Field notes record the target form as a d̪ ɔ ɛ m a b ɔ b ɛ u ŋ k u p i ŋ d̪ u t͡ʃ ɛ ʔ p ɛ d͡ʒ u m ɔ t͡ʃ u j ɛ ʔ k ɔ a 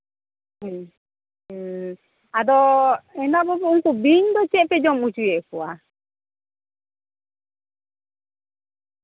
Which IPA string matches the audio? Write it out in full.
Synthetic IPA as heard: a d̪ ɔ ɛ n a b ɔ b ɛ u ŋ k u b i ɲ d̪ ɔ t͡ʃ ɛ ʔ p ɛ d͡ʒ ɔ m u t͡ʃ u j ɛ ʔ k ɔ a